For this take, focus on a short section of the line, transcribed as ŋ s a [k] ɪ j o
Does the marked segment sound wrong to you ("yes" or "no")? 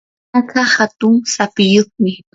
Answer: yes